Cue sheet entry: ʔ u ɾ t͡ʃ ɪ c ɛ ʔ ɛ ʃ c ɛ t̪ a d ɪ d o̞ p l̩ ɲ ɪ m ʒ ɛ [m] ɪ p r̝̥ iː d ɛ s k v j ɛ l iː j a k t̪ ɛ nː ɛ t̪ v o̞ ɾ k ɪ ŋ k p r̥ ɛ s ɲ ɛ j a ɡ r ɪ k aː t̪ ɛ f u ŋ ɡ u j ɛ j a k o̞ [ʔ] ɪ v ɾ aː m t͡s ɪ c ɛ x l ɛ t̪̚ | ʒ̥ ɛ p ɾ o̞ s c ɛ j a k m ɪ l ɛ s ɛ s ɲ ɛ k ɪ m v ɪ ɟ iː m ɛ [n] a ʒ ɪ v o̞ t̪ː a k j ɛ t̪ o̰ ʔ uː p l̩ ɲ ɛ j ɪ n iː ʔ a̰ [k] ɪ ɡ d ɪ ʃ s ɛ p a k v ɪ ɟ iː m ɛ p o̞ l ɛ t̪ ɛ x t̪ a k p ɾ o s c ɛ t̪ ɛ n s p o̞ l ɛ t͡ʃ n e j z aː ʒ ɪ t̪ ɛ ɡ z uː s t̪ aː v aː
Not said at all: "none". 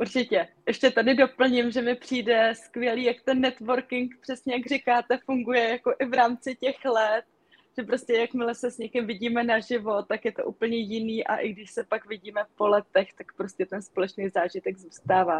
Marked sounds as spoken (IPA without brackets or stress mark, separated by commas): m, ʔ, n, ʔ